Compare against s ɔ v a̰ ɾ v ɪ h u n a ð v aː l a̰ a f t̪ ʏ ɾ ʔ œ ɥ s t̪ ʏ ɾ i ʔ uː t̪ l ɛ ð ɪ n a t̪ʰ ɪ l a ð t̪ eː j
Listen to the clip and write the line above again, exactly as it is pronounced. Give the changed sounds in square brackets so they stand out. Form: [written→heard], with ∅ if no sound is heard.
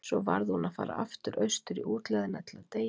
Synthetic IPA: s ɔ v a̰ ɾ [v→ð] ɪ h u n a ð [v→f] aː [l→ɾ] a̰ a f t̪ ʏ ɾ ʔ œ ɥ s t̪ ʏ ɾ i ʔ uː t̪ l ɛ ð ɪ n a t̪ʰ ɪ l a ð t̪ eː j